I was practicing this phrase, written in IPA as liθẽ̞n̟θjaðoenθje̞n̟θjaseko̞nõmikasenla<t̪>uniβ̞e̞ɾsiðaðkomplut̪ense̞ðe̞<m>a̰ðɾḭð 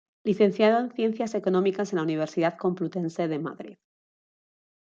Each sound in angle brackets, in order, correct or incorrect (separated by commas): incorrect, correct